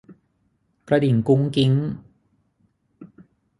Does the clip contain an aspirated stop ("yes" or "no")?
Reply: no